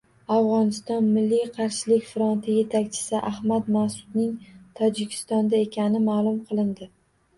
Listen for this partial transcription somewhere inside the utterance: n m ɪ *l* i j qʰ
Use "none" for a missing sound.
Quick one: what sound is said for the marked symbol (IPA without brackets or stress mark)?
lː